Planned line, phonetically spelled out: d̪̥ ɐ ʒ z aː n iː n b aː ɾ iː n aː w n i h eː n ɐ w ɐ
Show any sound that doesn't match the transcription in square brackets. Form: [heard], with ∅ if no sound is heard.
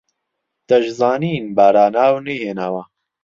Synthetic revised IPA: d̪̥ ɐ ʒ z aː n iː n b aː ɾ [aː] n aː w n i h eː n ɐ w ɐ